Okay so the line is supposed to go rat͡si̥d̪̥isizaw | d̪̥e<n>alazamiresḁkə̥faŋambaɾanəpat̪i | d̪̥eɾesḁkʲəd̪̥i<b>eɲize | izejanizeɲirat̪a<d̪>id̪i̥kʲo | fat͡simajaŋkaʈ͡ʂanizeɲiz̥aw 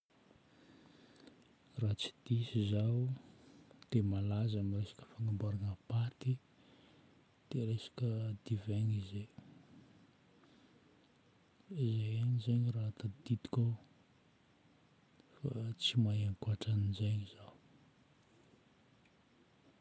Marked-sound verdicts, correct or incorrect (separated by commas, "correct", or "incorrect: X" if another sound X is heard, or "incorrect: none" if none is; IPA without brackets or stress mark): incorrect: m, incorrect: v, correct